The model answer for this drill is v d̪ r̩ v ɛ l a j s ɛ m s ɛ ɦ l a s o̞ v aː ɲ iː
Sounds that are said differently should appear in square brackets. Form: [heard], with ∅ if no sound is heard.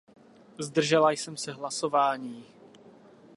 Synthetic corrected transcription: [z] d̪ r̩ [ʒ] ɛ l a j s ɛ m s ɛ ɦ l a s o̞ v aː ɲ iː